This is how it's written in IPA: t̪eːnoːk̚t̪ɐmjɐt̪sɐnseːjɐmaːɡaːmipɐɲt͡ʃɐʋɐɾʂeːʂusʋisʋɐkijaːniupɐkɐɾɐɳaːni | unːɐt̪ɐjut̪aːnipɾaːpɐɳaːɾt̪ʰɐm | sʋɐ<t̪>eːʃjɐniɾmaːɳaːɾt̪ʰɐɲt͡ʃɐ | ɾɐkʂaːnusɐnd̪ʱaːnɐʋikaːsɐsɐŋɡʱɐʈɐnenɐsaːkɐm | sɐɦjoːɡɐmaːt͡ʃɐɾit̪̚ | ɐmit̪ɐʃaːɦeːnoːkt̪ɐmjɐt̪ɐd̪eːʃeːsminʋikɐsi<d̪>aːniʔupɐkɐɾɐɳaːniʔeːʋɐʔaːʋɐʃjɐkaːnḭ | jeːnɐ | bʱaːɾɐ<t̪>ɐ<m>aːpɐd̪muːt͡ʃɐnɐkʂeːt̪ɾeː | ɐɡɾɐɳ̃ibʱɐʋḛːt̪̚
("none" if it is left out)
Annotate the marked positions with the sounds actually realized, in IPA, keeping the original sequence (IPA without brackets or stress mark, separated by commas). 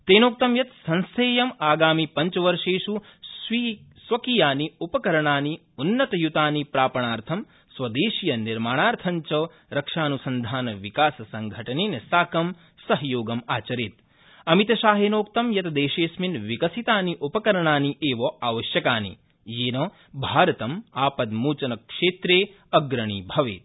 d̪, t̪, t̪, m